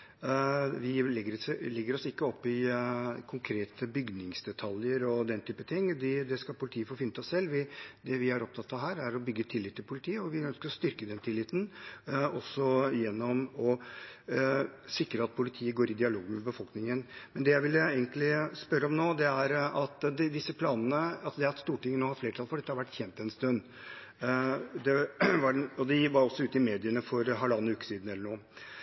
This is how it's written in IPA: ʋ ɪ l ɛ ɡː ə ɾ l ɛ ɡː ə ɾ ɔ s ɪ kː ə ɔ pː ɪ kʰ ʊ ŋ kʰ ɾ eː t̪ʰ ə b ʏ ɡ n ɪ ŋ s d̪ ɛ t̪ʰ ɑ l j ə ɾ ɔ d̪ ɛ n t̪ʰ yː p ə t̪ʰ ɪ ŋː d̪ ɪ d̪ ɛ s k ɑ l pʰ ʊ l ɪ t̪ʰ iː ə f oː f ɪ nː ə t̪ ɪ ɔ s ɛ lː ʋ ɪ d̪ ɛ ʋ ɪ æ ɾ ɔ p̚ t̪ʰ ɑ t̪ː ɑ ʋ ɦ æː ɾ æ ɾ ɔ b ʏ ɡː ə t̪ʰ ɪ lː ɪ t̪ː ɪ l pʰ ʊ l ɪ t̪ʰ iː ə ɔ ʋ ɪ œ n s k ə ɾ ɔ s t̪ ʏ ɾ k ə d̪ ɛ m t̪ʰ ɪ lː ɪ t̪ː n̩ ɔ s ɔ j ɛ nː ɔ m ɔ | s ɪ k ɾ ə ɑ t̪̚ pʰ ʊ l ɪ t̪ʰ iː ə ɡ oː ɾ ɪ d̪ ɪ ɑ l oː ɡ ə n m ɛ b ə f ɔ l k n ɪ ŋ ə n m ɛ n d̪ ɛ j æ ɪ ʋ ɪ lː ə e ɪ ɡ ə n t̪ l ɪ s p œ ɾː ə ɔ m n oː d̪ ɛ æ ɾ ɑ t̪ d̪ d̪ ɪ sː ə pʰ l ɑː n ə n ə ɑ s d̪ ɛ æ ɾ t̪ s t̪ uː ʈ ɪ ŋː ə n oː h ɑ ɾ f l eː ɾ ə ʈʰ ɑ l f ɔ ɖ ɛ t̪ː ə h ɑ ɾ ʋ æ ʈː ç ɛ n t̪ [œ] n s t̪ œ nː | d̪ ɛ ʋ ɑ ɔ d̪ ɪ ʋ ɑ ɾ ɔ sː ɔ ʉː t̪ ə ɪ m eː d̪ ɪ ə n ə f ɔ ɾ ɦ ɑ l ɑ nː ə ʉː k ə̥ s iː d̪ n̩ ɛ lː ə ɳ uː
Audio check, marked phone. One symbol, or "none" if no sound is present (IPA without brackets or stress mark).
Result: ɛ